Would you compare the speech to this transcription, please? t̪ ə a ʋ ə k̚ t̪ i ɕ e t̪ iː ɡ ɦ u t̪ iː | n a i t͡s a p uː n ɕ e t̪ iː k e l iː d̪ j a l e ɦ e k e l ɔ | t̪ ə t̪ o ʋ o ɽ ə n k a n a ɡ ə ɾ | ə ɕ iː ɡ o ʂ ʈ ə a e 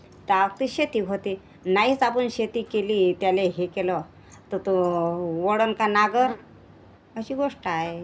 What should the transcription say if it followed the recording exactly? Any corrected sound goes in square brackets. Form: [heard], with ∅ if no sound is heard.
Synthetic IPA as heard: t̪ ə a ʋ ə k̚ t̪ i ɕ e t̪ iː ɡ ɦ [o] t̪ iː | n a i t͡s a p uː n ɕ e t̪ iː k e l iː [t̪] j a l e ɦ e k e l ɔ | t̪ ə t̪ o ʋ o ɽ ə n k a n a ɡ ə ɾ | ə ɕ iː ɡ o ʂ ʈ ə a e